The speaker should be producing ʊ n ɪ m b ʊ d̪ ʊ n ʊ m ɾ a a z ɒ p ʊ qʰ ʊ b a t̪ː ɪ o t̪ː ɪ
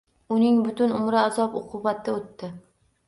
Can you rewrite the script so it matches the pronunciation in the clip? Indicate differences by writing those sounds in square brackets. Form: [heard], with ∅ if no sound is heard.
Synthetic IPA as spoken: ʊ n ɪ [ŋ] b ʊ [t̪] ʊ n ʊ m ɾ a a z ɒ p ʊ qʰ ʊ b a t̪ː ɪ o t̪ː ɪ